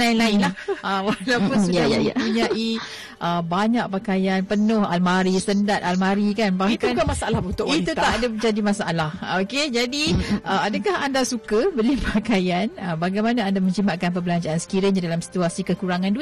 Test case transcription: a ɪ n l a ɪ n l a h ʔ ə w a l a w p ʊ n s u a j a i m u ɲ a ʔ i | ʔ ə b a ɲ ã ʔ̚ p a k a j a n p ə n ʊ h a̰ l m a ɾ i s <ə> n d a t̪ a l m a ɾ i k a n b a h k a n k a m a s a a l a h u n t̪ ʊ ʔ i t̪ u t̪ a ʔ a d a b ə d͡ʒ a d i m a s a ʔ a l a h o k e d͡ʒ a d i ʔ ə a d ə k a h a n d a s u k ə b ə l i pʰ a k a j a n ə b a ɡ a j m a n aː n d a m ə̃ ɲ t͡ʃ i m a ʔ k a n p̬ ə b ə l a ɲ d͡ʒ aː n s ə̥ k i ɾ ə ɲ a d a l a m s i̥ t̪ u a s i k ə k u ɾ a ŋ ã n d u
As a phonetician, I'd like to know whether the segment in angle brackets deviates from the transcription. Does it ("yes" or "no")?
no